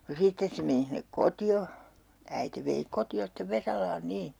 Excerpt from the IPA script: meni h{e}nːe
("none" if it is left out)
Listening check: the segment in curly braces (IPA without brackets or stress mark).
i